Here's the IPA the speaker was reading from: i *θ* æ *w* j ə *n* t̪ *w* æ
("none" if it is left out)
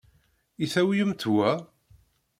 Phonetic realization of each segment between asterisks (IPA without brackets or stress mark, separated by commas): θ, w, m, w